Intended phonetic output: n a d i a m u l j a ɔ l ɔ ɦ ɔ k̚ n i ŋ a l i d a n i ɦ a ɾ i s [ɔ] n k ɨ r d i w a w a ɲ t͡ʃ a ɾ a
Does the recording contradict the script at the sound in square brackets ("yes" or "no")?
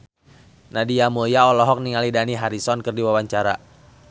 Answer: no